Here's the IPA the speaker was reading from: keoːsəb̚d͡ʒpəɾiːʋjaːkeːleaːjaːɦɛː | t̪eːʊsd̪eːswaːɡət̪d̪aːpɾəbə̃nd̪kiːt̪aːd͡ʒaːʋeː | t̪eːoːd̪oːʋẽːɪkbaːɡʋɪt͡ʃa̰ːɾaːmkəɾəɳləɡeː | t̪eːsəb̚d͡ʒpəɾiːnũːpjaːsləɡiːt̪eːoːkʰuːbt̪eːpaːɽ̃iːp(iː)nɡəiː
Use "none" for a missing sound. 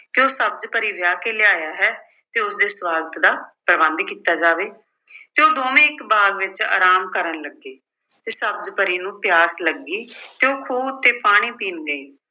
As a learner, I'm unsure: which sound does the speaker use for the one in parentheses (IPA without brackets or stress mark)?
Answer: iː